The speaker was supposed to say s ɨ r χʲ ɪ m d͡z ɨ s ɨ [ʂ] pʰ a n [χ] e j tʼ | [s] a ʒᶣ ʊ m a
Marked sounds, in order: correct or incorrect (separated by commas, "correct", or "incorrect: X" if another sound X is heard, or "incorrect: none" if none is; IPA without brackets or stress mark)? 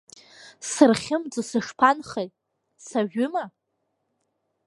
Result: correct, correct, correct